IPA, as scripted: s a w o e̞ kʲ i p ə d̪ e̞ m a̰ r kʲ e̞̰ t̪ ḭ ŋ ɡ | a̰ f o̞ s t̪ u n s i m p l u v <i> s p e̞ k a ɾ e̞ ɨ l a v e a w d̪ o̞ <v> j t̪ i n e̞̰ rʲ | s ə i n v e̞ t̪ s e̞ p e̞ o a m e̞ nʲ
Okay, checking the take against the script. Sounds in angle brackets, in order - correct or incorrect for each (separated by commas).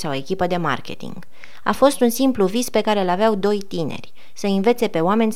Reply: correct, incorrect